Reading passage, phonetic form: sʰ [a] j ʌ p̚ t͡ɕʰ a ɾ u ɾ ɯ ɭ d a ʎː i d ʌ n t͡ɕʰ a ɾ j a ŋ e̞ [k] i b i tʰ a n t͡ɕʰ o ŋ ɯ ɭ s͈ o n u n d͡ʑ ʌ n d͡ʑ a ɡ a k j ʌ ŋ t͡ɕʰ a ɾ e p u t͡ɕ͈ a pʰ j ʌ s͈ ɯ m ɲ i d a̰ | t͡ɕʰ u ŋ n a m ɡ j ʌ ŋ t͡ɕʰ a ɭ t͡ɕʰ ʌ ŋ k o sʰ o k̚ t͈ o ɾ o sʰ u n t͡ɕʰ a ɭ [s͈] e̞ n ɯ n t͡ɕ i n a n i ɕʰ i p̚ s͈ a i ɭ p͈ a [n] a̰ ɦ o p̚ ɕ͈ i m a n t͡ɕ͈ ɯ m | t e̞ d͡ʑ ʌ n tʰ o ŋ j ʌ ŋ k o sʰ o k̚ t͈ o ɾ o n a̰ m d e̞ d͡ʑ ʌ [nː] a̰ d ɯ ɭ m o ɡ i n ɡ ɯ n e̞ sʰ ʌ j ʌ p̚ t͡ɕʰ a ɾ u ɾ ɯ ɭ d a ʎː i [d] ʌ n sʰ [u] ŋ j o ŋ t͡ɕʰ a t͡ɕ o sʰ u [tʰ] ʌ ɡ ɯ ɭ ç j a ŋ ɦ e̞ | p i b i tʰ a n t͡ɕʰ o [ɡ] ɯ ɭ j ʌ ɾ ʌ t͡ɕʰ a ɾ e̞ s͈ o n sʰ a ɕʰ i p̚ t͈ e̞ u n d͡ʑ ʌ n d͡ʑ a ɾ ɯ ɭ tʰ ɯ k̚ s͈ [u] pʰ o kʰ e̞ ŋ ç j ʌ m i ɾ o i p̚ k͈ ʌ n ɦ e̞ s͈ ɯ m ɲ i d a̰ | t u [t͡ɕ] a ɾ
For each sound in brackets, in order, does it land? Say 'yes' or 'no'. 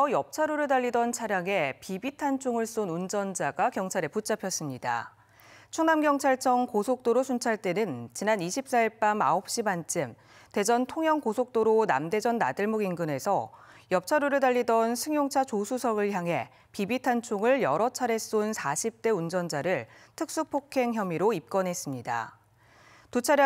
no, no, no, no, yes, yes, no, no, no, yes, no

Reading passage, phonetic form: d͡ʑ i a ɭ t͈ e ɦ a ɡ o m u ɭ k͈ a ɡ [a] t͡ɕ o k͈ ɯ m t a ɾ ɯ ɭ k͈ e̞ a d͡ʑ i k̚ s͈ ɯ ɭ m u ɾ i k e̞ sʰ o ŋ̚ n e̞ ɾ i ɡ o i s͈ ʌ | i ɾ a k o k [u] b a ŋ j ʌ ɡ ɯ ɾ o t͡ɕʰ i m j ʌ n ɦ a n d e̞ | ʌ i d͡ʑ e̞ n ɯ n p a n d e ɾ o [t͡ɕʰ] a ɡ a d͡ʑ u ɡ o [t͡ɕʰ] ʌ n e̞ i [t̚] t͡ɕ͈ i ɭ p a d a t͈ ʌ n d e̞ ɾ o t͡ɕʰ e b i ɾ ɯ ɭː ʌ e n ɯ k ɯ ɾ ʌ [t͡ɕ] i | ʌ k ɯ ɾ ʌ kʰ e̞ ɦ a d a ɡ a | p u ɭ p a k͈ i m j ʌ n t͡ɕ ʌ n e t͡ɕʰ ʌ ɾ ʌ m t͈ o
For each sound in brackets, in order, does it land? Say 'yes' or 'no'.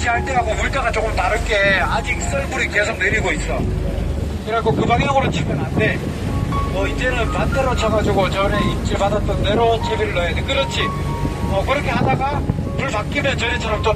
yes, no, yes, no, no, no

